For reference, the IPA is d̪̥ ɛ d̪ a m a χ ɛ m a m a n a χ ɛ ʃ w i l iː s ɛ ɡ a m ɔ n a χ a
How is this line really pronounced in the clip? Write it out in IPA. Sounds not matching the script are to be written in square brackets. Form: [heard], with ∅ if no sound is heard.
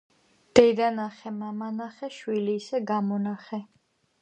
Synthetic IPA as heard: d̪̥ ɛ d̪ a [n] a χ ɛ m a m a n a χ ɛ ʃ w i l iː s ɛ ɡ a m ɔ n a χ [ɛ]